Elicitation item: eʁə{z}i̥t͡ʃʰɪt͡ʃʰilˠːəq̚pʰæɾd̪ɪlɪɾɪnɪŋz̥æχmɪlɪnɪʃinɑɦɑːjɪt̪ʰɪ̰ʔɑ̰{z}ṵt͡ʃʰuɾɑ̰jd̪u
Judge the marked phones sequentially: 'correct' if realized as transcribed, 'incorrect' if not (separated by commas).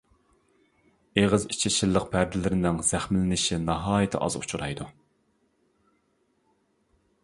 correct, correct